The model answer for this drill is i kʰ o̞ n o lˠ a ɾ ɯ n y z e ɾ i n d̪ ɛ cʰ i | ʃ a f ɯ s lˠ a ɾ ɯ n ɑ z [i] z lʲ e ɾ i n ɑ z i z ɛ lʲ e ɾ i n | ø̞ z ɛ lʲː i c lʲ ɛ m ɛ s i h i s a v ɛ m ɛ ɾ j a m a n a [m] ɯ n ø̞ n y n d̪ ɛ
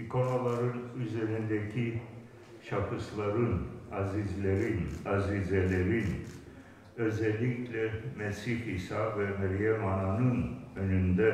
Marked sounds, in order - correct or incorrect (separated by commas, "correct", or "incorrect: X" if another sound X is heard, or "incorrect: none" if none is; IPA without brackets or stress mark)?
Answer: correct, incorrect: n